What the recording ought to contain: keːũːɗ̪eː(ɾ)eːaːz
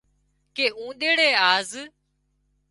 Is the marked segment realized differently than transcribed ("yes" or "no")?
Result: yes